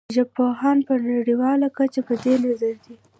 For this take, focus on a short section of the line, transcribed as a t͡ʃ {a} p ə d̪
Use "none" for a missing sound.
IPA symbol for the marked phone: a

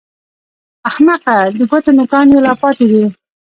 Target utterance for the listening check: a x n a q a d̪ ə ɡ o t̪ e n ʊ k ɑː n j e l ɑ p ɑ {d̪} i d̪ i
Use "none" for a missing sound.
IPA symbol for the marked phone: t̪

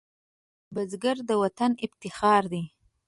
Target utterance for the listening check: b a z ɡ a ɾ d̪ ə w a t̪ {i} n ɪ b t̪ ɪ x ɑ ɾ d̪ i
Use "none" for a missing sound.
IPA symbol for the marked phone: a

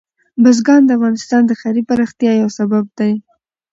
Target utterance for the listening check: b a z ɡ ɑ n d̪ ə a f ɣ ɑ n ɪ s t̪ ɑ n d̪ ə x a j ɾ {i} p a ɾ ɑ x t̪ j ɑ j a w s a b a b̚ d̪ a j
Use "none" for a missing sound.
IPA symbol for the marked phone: i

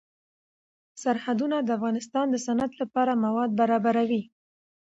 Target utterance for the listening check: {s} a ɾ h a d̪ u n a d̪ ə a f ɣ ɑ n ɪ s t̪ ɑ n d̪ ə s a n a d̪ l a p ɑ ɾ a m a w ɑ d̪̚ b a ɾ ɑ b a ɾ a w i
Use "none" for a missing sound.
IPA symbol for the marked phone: s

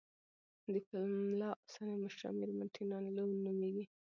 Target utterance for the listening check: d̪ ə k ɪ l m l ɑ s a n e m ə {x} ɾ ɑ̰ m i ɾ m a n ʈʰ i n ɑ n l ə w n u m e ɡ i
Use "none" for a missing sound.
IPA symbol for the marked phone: ʃ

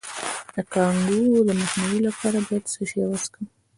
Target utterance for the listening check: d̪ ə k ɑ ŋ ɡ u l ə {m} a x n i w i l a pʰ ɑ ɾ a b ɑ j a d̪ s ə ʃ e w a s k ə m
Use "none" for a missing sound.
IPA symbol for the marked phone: m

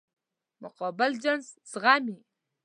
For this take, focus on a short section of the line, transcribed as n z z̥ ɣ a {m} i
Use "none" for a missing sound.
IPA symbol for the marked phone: m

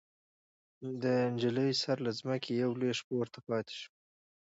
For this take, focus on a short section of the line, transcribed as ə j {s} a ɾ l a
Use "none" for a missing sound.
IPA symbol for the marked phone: s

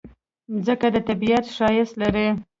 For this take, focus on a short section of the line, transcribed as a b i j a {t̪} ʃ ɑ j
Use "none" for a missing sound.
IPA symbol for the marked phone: t̪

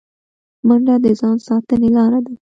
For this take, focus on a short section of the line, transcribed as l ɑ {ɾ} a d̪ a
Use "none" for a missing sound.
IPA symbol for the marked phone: ɾ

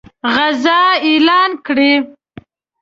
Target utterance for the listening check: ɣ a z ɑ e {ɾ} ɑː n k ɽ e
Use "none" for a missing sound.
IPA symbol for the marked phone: l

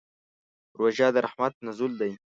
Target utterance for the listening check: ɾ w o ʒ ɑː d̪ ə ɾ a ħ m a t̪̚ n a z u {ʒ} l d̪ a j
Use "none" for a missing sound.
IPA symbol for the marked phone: none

